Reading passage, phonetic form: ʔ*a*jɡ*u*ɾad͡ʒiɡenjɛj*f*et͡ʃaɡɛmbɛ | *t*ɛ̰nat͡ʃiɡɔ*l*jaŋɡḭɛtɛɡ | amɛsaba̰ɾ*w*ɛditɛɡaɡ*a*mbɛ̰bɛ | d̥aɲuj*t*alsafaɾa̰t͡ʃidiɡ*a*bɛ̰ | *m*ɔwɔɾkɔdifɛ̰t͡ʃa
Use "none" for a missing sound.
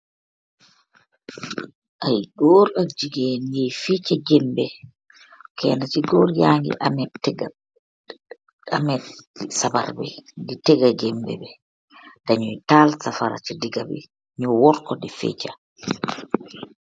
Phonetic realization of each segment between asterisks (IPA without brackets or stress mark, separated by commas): a, ɔ, f, k, ɾ, b, ɛ, t, a, ɲ